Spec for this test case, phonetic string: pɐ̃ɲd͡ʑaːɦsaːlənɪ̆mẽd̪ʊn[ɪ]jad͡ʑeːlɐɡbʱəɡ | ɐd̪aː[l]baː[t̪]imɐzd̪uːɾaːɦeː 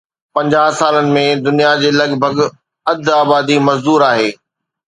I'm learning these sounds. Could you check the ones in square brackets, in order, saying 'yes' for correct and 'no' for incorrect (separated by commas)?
no, no, no